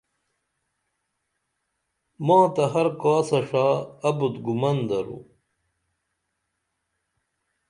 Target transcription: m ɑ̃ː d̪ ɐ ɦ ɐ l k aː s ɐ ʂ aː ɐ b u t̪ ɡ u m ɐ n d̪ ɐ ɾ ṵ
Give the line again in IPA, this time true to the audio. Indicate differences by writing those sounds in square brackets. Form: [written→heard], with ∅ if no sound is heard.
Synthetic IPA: m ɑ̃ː [d̪→t̪] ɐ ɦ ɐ [l→ɾ] k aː s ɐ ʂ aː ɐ b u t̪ ɡ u m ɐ n d̪ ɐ ɾ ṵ